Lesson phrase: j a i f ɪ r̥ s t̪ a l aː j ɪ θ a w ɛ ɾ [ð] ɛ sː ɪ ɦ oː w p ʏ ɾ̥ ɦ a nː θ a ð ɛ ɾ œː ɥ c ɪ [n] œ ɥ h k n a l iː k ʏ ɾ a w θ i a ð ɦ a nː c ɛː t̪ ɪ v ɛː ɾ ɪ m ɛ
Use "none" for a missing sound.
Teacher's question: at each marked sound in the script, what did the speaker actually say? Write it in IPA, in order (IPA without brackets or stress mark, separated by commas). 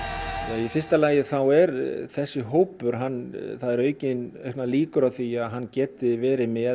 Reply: θ, n